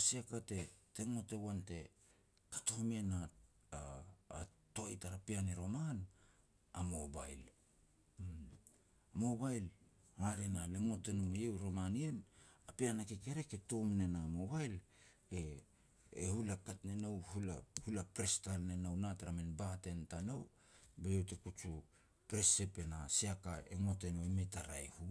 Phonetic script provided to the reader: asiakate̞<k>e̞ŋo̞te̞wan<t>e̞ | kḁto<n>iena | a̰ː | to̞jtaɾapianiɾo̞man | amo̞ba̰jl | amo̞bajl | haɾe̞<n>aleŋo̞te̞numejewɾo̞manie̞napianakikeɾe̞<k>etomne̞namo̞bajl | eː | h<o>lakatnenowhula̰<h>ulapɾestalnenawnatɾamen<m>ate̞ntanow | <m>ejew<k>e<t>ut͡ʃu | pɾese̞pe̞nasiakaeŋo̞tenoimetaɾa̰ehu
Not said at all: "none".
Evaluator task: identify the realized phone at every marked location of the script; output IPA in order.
t, t, m, n, k, u, h, b, b, t, k

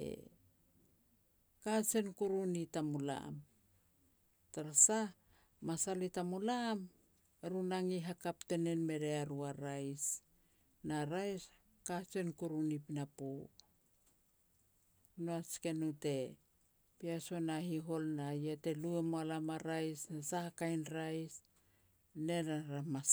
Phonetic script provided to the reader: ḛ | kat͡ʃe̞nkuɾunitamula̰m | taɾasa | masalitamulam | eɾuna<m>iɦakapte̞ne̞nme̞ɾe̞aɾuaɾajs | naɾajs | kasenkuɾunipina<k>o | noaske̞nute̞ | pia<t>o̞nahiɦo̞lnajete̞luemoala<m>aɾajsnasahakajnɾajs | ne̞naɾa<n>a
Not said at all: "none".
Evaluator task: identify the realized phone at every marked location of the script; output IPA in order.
ŋ, p, s, m, m

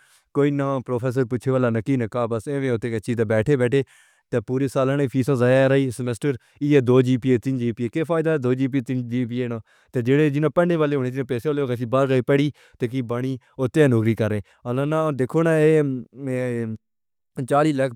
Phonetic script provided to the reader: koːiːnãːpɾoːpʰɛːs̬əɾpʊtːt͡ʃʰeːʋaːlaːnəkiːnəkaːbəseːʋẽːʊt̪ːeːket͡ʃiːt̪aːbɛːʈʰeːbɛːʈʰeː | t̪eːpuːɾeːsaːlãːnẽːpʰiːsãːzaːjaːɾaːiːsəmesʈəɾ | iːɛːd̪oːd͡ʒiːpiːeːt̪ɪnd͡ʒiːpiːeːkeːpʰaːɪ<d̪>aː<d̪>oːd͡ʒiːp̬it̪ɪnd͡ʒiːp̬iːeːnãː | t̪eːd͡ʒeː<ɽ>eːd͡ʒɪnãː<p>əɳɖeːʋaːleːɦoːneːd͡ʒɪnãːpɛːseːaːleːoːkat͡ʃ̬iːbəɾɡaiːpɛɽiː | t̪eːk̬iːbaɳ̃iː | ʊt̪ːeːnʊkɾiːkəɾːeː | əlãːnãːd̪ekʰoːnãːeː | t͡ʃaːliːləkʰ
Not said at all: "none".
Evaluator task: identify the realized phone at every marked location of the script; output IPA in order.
d̪, d̪, ɽ, p

